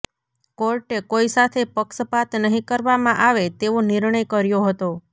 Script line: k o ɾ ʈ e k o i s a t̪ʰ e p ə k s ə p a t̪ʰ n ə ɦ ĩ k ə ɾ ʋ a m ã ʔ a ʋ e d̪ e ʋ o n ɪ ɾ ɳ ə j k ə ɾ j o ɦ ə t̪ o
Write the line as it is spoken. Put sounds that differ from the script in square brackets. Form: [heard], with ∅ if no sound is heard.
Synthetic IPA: k o ɾ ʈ e k o i s a t̪ʰ e p ə k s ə p a [t̪] n ə ɦ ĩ k ə ɾ ʋ a m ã ʔ a ʋ e [t̪] e ʋ o n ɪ ɾ ɳ ə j k ə ɾ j o ɦ ə t̪ o